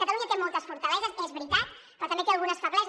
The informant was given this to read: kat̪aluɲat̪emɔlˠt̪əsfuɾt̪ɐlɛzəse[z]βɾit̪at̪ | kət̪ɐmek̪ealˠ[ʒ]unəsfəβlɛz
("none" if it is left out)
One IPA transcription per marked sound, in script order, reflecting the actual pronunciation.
z, ɣ

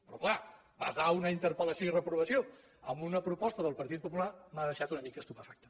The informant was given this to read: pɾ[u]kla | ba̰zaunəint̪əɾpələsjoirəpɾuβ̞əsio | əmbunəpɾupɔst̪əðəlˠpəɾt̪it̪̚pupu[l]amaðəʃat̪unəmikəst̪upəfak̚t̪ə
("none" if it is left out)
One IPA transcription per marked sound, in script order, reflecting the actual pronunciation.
ɔ, l

